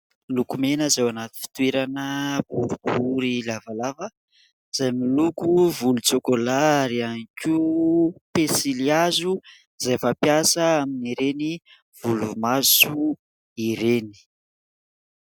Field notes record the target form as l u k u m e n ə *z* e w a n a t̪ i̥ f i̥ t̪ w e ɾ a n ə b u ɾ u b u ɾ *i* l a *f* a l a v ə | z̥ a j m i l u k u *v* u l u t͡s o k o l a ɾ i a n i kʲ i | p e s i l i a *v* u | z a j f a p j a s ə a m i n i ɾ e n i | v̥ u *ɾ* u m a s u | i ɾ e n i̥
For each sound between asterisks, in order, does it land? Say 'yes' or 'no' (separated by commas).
yes, yes, no, yes, no, no